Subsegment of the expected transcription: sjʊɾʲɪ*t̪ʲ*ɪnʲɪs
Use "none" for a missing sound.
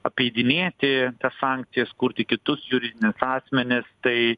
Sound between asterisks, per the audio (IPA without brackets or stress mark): d̪ʲ